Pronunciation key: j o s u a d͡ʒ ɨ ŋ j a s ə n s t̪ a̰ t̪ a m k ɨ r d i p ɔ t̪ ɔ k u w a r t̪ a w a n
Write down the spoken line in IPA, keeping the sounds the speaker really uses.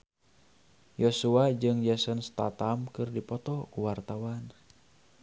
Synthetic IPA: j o s u a d͡ʒ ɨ ŋ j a s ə n s t̪ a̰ t̪ a m k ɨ r d i p ɔ t̪ ɔ k u w a r t̪ a w a n